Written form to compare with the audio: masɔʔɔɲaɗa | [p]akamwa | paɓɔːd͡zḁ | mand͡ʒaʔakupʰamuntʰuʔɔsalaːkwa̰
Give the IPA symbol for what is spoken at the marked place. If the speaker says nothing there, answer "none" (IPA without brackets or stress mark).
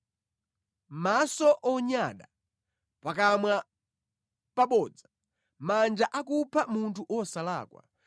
p